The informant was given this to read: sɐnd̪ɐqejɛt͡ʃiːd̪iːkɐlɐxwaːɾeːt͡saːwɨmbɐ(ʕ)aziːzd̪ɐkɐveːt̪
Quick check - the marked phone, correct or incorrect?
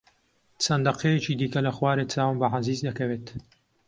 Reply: correct